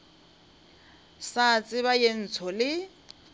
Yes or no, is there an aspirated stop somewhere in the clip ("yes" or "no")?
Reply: yes